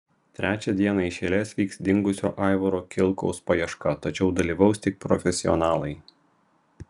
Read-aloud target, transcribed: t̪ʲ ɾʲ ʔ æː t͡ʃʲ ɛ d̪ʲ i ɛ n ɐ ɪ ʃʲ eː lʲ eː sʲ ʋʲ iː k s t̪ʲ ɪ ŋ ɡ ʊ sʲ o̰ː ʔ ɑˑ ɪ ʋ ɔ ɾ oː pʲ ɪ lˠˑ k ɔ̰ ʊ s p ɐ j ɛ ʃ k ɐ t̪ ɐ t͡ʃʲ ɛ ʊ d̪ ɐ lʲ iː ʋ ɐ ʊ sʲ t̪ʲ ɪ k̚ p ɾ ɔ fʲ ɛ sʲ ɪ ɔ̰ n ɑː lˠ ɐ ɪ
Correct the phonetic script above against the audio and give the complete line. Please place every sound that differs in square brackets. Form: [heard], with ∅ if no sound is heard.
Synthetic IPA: t̪ʲ ɾʲ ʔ æː t͡ʃʲ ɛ d̪ʲ i ɛ n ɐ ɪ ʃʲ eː lʲ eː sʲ ʋʲ iː k s [d̪ʲ] ɪ ŋ ɡ ʊ sʲ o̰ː ʔ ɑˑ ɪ ʋ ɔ ɾ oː [kʲ] ɪ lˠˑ k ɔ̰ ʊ s p ɐ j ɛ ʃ k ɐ t̪ ɐ t͡ʃʲ ɛ ʊ d̪ ɐ lʲ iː ʋ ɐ ʊ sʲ t̪ʲ ɪ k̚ p ɾ ɔ fʲ ɛ sʲ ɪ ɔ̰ n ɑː lˠ ɐ ɪ